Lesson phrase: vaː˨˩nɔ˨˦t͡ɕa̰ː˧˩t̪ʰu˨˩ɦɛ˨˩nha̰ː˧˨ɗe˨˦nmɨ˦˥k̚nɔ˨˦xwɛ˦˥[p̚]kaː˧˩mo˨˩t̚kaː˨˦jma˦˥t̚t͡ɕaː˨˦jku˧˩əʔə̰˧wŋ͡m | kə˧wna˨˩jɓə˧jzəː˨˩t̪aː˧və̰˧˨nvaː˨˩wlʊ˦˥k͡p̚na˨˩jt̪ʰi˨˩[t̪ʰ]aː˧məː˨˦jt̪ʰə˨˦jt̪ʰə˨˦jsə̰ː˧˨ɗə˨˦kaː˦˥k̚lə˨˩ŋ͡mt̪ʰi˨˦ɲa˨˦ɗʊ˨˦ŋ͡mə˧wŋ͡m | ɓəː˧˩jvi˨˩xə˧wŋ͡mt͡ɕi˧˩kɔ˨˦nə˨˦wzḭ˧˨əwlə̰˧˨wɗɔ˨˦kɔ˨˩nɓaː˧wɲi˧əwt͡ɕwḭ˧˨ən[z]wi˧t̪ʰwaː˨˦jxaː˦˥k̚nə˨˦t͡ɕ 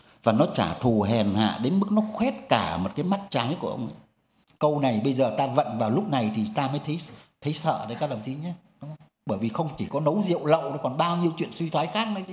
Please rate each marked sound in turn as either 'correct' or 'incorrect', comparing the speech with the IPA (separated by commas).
incorrect, incorrect, incorrect